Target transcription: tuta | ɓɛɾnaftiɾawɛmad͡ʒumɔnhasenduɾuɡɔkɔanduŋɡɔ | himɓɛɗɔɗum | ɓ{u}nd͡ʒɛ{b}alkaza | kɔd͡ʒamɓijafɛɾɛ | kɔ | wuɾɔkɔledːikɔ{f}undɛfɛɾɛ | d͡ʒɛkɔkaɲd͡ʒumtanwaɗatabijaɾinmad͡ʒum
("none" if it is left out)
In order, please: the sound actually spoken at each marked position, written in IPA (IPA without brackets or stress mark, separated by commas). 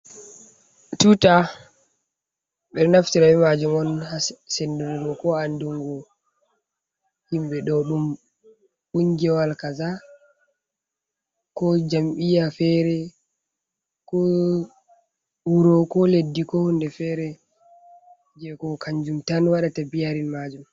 u, w, h